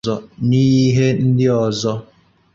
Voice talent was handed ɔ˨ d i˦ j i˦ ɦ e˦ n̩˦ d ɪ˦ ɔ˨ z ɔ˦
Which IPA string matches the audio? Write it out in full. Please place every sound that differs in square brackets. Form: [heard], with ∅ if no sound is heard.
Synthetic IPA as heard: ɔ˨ [n] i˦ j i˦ ɦ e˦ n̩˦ d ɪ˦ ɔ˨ z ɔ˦